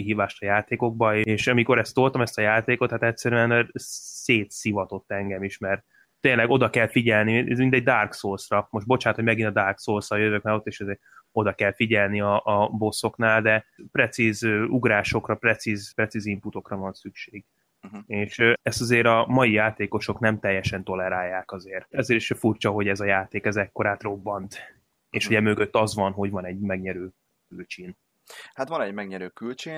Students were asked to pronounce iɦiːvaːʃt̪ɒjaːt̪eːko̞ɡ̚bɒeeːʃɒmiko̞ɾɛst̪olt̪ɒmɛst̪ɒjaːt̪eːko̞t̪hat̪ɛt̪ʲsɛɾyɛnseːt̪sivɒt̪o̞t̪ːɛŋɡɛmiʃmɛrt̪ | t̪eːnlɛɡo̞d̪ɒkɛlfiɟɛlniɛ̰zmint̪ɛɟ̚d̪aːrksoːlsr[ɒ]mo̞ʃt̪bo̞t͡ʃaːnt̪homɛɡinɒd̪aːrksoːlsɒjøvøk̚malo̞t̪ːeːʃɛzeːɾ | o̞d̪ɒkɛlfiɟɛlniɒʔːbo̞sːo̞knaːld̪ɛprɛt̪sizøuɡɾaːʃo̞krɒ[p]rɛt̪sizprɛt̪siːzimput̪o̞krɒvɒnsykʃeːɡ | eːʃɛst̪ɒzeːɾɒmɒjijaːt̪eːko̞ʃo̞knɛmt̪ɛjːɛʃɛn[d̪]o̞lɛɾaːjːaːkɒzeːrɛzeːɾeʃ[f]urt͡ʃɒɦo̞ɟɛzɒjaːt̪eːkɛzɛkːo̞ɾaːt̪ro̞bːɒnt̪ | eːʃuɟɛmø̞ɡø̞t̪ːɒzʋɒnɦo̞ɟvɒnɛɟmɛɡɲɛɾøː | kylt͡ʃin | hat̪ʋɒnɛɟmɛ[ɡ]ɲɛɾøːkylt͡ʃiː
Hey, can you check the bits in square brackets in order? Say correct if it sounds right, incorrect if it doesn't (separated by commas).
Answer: correct, correct, incorrect, correct, correct